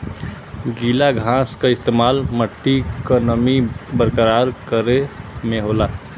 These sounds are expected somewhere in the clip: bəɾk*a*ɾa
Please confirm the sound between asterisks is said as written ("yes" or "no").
no